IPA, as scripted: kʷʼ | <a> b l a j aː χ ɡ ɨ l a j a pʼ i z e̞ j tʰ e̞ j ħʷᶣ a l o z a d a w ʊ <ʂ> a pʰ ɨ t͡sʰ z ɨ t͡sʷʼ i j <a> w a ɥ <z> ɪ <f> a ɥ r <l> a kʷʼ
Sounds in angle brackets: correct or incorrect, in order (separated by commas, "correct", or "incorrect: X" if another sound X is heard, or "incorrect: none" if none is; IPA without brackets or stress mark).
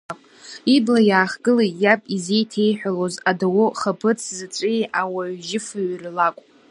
incorrect: i, incorrect: χ, correct, incorrect: ʒ, correct, correct